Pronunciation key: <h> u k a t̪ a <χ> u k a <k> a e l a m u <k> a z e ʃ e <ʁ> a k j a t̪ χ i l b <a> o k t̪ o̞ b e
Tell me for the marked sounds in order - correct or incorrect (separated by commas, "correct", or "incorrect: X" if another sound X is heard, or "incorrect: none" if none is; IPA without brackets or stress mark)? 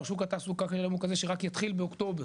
incorrect: ʃ, incorrect: s, correct, correct, correct, incorrect: e